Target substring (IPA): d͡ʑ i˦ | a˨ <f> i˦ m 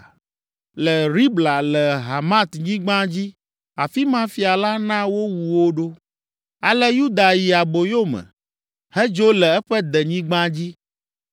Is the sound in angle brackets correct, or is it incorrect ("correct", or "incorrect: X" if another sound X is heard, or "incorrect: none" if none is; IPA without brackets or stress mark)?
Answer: correct